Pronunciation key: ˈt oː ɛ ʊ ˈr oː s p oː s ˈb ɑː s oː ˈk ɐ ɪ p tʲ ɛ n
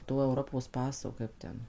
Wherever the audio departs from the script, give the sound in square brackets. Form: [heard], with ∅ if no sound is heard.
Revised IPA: ˈt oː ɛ ʊ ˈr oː [∅] p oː s [ˈp] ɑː s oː ˈk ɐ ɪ p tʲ ɛ n